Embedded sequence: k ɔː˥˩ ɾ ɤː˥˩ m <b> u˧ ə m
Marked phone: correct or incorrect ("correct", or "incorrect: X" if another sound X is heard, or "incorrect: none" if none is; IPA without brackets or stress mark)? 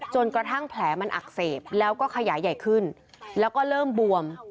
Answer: correct